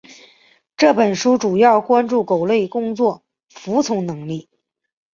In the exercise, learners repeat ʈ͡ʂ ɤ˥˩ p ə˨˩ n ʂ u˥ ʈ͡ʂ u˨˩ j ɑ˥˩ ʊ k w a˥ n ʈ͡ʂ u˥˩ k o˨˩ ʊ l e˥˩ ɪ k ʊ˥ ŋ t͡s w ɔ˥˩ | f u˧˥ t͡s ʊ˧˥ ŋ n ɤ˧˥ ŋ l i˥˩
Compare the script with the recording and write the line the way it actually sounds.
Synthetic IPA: ʈ͡ʂ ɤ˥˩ p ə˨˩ n ʂ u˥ ʈ͡ʂ u˨˩ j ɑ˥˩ ʊ k w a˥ n ʈ͡ʂ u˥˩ k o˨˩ ʊ l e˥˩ ɪ k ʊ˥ ŋ t͡s w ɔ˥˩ | f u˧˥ t͡sʰ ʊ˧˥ ŋ n ɤ˧˥ ŋ l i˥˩